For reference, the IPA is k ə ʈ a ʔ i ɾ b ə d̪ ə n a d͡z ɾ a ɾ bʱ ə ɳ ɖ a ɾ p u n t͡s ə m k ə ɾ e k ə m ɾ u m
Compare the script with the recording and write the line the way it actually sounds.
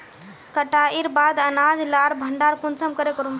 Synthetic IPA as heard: k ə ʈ a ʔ i ɾ b a d̪ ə n a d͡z l a ɾ bʱ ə ɳ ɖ a ɾ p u n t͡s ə m k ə ɾ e k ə ɾ u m